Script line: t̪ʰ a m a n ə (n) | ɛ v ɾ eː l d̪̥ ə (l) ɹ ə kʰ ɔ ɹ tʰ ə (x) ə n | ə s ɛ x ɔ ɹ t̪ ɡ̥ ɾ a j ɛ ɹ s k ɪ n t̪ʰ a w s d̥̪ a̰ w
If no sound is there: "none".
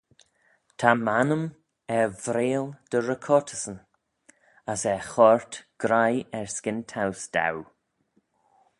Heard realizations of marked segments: m, none, s

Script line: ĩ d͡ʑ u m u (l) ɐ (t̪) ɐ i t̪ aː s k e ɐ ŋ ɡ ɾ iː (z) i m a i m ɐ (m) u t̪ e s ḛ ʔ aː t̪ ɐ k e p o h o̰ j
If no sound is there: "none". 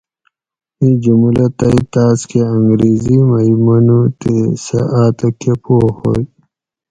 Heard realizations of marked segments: l, t̪, z, n

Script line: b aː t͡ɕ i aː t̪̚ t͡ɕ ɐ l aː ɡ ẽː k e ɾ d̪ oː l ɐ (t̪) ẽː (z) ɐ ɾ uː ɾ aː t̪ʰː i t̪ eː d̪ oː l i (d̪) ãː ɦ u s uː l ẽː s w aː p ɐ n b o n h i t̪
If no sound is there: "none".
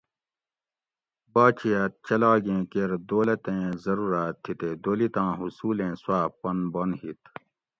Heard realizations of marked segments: t̪, z, t̪

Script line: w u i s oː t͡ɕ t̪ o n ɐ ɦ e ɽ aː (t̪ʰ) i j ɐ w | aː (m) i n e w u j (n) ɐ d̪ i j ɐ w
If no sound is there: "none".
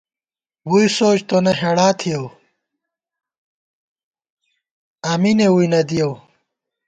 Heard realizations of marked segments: t̪ʰ, m, n

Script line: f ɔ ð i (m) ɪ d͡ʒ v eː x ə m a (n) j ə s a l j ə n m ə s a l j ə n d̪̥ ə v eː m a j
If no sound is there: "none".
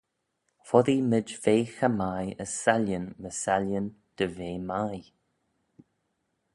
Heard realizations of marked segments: m, none

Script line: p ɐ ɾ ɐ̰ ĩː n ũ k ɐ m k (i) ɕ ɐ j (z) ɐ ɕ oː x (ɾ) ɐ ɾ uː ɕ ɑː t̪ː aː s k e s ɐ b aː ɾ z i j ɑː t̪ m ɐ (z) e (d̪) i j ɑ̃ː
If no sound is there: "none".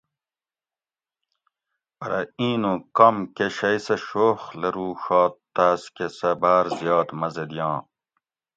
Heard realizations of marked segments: e, s, l, z, d̪

